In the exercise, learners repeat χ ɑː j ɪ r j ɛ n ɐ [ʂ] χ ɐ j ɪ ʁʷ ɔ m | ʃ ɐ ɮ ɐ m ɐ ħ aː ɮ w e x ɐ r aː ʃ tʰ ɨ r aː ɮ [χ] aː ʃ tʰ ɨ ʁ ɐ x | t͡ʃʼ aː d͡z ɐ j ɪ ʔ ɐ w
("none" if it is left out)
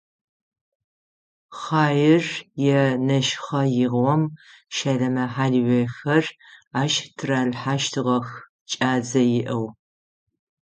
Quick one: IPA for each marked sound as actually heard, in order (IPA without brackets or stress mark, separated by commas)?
ʃ, ħ